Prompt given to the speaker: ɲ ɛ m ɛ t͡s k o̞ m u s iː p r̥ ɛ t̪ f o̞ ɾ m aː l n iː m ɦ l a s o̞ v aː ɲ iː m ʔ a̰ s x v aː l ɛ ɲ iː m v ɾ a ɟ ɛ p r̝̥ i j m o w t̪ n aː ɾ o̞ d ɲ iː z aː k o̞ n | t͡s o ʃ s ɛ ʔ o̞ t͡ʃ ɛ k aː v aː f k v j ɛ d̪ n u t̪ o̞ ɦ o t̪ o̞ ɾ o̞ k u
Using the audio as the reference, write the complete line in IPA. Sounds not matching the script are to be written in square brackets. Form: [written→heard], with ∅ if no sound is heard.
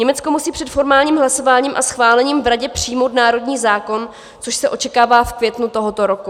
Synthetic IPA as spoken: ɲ ɛ m ɛ t͡s k o̞ m u s iː p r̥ ɛ t̪ f o̞ ɾ m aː l [n→ɲ] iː m ɦ l a s o̞ v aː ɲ iː m ʔ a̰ s x v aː l ɛ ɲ iː m v ɾ a ɟ ɛ p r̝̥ i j m o w t̪ n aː ɾ o̞ d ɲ iː z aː k o̞ n | t͡s o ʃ s ɛ ʔ o̞ t͡ʃ ɛ k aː v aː f k v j ɛ [d̪→t̪] n u t̪ o̞ ɦ o t̪ o̞ ɾ o̞ k u